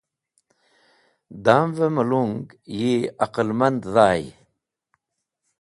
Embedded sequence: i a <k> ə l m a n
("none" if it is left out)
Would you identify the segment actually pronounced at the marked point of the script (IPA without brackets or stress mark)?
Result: q